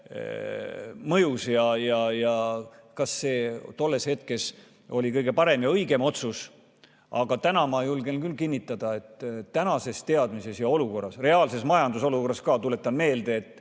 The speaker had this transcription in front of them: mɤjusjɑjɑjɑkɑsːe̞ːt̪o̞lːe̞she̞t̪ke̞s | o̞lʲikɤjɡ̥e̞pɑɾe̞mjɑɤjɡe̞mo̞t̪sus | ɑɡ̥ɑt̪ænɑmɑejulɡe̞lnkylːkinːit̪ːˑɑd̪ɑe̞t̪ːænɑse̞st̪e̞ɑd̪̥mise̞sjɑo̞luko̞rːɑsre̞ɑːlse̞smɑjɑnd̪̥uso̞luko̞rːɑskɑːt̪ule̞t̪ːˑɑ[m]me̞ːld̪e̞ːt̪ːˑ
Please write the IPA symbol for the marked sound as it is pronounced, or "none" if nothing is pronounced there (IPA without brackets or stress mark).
n